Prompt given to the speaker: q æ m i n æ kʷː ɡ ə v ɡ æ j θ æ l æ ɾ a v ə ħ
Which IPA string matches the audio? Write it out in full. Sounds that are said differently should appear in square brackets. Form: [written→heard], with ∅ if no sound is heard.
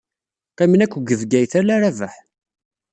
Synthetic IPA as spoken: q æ m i n æ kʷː ɡ ə v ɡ æ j θ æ l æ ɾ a v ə ħ